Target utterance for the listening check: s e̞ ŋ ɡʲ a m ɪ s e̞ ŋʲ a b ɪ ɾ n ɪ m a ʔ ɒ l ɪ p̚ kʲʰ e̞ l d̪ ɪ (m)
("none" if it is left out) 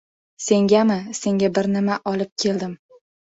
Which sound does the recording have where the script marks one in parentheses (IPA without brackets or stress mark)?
m